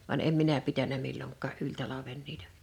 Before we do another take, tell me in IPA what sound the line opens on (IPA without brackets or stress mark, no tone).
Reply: ʋ